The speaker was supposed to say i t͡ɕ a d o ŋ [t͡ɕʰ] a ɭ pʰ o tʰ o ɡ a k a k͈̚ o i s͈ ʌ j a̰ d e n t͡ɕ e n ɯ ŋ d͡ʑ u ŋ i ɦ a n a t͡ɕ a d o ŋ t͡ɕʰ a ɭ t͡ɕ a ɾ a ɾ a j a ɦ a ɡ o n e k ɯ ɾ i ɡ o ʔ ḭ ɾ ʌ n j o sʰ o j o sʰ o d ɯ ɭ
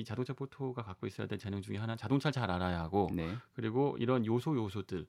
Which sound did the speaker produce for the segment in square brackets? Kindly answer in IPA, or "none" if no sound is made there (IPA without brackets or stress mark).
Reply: t͡ɕʰ